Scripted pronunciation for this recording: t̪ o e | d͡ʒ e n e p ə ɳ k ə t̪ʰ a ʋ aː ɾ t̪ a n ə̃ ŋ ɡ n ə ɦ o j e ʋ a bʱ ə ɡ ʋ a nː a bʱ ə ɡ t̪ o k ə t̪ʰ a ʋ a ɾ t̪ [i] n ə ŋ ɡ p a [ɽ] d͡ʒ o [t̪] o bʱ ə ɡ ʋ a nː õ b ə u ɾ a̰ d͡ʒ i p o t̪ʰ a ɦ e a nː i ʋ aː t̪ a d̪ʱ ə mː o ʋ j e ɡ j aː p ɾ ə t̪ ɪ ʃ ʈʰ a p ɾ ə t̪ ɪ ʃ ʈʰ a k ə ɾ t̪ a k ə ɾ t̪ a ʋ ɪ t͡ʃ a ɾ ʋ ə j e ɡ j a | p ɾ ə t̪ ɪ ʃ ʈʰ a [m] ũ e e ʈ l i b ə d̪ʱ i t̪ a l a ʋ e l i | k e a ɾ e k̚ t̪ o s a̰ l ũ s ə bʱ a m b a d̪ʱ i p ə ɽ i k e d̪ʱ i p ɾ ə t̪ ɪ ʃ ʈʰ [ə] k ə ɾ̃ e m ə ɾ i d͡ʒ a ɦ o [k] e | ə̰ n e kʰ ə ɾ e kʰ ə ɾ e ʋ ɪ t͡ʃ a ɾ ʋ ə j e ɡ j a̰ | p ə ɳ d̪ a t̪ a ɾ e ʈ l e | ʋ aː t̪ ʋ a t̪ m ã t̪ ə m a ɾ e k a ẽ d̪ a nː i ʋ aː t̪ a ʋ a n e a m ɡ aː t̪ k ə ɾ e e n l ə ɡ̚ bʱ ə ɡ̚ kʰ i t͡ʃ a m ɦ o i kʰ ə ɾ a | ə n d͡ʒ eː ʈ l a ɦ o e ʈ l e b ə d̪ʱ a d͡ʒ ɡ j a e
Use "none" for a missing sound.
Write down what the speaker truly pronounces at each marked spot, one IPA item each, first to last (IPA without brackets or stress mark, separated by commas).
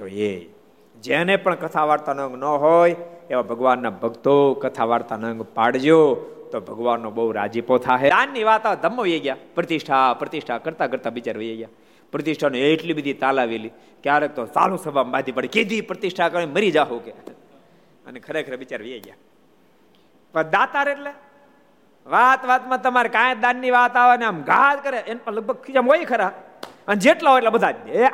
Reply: a, ɽ, t̪, n, a, k